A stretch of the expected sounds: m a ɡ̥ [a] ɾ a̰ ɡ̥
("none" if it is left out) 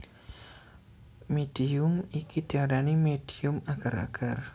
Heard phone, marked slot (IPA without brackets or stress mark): a